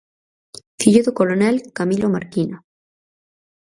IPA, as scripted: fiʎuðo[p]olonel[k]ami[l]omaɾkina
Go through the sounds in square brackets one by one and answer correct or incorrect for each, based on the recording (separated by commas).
incorrect, correct, correct